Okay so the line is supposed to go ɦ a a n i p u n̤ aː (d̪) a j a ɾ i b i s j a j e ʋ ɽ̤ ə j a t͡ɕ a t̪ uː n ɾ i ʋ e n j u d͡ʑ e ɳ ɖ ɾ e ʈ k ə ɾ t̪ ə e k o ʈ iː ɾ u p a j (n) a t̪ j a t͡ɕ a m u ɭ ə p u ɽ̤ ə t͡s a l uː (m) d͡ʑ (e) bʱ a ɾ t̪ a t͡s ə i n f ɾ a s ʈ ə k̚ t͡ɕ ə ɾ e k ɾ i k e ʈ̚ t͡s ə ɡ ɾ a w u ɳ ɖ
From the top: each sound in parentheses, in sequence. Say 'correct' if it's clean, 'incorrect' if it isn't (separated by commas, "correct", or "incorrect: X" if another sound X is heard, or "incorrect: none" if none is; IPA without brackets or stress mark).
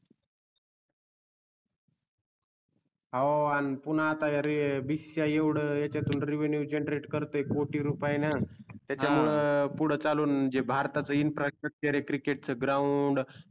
incorrect: t̪, correct, incorrect: n, correct